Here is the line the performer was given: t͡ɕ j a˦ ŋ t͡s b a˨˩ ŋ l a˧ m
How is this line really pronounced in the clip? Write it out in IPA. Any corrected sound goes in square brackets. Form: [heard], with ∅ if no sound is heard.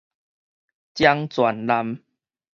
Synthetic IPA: t͡ɕ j a˦ ŋ t͡s [w] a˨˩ [n] l a˧ m